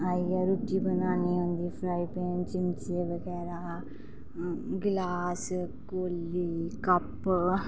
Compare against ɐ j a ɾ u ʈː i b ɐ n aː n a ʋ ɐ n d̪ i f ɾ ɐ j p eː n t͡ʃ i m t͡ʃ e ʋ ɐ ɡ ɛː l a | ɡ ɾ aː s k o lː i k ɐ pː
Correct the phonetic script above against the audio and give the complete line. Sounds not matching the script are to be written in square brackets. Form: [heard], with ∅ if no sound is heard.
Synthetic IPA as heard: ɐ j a ɾ u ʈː i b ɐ n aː n [i] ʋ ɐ n d̪ i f ɾ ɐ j p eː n t͡ʃ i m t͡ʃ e ʋ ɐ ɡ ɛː [ɾ] a | ɡ [l] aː s k o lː i k ɐ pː

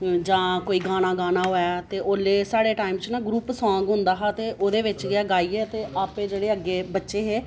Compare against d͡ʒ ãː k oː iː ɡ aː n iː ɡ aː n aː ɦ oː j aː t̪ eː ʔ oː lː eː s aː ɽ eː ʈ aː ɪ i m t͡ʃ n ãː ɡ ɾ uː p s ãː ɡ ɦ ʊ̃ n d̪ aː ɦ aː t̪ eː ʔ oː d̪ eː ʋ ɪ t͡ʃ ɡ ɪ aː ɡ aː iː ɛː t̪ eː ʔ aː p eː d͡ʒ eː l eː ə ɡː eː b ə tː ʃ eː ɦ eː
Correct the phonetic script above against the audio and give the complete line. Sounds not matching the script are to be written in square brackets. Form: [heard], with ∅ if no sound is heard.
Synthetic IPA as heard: d͡ʒ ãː k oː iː ɡ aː n [aː] ɡ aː n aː ɦ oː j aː t̪ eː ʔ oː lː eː s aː ɽ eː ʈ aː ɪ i m t͡ʃ n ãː ɡ ɾ uː p s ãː ɡ ɦ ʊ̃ n d̪ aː ɦ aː t̪ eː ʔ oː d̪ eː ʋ ɪ t͡ʃ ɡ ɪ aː ɡ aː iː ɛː t̪ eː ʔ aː p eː d͡ʒ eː [ɽ] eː ə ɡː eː b ə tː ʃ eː ɦ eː

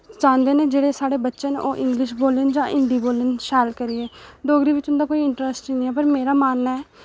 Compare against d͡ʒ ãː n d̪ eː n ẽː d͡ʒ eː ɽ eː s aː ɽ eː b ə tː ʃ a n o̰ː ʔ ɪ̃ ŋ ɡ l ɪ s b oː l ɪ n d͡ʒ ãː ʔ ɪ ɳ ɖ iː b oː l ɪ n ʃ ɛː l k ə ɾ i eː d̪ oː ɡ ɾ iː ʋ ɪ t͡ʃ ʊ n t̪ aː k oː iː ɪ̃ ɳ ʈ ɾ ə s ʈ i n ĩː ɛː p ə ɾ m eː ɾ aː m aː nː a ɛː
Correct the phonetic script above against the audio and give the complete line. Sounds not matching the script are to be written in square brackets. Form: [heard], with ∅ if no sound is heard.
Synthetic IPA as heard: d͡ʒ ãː n d̪ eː n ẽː d͡ʒ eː ɽ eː s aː ɽ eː b ə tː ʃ [ə] n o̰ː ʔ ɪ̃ ŋ ɡ l ɪ [ʃ] b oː l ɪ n d͡ʒ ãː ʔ ɪ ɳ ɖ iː b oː l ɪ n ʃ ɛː l k ə ɾ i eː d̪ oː ɡ ɾ iː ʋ ɪ t͡ʃ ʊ n [d̪] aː k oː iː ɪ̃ ɳ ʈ ɾ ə s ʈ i n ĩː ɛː p ə ɾ m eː ɾ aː m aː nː a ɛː

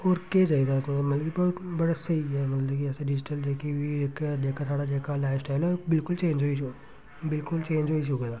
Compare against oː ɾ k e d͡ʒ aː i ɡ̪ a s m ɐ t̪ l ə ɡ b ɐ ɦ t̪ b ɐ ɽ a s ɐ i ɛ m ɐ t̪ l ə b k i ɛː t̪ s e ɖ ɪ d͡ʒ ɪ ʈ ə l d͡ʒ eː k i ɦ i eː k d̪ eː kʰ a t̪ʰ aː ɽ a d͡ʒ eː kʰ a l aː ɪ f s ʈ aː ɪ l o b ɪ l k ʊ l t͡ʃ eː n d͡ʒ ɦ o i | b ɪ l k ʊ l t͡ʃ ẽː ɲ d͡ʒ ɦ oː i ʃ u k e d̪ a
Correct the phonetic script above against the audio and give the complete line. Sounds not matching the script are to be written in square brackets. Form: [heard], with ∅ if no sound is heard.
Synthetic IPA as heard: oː ɾ k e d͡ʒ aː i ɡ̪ a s m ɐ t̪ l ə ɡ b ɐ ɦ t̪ b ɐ ɽ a s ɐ i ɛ m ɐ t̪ l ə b k i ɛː [∅] s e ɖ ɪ d͡ʒ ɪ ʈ ə l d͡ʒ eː k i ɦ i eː k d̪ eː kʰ a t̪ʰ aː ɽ a d͡ʒ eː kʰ a l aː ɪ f s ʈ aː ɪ l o b ɪ l k ʊ l t͡ʃ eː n d͡ʒ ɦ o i | b ɪ l k ʊ l t͡ʃ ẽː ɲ d͡ʒ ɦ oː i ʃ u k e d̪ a

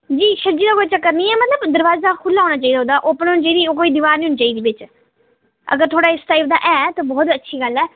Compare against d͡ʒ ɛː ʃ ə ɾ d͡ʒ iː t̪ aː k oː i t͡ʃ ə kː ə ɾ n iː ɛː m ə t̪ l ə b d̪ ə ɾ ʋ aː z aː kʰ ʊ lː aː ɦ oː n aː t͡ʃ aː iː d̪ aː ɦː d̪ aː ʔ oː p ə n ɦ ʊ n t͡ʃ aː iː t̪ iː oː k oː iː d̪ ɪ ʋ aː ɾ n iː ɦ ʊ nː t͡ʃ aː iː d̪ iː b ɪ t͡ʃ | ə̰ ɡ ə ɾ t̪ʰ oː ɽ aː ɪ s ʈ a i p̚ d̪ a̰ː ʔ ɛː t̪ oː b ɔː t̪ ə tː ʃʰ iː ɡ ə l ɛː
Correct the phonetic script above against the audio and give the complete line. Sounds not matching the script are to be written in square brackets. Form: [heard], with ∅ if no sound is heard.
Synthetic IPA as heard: d͡ʒ [iː] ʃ ə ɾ d͡ʒ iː [d̪] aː k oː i t͡ʃ ə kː ə ɾ n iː ɛː m ə t̪ l ə b d̪ ə ɾ ʋ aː z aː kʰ ʊ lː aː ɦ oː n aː t͡ʃ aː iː d̪ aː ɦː d̪ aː ʔ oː p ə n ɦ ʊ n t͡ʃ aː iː [d̪] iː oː k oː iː d̪ ɪ ʋ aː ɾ n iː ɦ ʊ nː t͡ʃ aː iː d̪ iː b ɪ t͡ʃ | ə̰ ɡ ə ɾ t̪ʰ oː ɽ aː ɪ s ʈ a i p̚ d̪ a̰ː ʔ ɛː t̪ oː b ɔː t̪ ə tː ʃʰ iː ɡ ə l ɛː

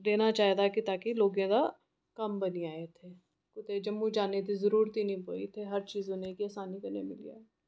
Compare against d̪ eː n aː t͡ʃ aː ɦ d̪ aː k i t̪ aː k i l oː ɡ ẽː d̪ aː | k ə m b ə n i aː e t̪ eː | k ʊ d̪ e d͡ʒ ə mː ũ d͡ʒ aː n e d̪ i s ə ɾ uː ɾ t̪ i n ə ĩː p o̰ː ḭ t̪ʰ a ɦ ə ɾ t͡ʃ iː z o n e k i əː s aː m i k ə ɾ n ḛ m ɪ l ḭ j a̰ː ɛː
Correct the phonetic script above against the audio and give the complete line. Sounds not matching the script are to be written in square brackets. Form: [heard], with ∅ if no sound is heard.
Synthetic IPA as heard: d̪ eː n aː t͡ʃ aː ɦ d̪ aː k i t̪ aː k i l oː ɡ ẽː d̪ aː | k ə m b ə n i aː e [t̪ʰ] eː | k ʊ [t̪] e d͡ʒ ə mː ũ d͡ʒ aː n e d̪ i [z] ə ɾ uː ɾ t̪ i n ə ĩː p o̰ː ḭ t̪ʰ [e] ɦ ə ɾ t͡ʃ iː z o n e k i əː s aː [n] i k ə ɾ n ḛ m ɪ l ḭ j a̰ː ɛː

